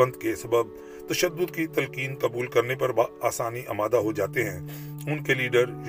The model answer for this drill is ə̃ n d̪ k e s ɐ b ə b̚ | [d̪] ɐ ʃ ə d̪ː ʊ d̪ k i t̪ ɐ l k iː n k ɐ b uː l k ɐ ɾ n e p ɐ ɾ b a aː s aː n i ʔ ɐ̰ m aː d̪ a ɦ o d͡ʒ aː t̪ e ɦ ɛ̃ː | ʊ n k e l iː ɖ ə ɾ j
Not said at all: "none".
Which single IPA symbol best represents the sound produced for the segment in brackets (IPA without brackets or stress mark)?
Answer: t̪